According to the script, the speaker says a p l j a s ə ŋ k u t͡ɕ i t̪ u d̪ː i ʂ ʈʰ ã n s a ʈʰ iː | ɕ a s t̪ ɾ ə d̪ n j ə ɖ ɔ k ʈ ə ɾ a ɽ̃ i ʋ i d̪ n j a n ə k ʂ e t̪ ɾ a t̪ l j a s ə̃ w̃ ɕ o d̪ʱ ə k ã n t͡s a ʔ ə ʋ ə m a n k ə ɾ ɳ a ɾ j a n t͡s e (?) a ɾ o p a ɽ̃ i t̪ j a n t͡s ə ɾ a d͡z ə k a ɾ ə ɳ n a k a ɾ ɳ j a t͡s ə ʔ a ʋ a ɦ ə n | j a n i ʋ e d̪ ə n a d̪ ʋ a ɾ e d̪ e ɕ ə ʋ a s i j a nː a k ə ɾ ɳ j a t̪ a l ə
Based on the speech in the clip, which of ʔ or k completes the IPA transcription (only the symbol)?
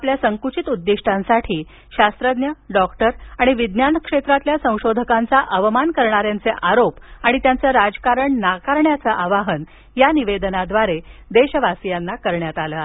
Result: ʔ